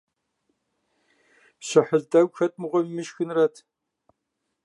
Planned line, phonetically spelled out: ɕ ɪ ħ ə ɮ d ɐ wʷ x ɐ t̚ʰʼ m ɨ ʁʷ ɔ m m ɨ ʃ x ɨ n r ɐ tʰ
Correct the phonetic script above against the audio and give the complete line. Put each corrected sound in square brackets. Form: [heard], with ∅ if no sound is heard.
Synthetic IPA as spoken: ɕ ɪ ħ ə ɮ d ɐ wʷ x ɐ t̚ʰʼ m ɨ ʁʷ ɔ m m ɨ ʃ x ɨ n r ɐ tʰ